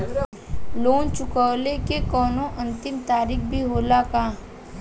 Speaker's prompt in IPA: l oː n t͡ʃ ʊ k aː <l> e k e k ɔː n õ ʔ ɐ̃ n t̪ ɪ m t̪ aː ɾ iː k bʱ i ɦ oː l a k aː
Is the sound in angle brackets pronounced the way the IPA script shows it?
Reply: yes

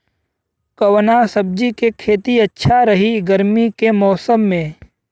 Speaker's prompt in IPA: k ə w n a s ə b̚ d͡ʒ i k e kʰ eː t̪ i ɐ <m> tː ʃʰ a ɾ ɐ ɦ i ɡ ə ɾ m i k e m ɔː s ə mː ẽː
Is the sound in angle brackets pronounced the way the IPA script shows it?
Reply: no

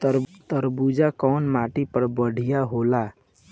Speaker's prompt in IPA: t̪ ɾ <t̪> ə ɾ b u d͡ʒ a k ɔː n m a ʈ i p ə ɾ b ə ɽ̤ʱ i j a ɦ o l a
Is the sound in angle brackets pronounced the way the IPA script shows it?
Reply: yes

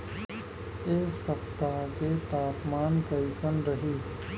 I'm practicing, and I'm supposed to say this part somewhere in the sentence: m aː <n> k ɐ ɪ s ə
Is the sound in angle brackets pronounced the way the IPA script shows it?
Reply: yes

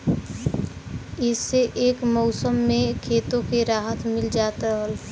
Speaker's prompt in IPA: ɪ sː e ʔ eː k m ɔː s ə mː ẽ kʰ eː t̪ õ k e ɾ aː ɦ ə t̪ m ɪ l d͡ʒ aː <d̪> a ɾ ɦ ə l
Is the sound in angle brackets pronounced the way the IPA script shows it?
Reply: no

